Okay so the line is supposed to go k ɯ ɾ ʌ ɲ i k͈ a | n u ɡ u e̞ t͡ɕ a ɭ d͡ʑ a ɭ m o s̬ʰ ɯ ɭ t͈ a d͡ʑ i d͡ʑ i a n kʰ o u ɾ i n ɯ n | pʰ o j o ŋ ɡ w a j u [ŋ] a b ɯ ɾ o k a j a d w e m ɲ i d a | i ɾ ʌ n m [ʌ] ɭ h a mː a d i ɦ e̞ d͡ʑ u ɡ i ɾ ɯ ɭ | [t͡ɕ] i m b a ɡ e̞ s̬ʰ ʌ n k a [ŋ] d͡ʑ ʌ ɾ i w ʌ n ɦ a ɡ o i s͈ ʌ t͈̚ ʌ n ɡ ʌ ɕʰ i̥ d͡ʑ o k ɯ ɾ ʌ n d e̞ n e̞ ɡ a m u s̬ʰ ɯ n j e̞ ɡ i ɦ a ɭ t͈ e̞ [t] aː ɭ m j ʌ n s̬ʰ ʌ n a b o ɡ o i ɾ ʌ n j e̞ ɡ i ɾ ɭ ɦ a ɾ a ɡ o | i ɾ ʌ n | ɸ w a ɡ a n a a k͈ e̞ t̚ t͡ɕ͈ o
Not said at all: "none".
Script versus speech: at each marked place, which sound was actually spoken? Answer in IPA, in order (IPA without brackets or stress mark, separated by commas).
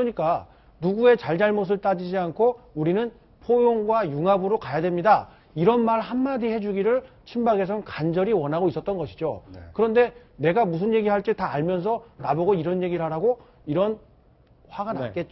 ŋ, a, t͡ɕʰ, n, t